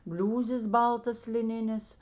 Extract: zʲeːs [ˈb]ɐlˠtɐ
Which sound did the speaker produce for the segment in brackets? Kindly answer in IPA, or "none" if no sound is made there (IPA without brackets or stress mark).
b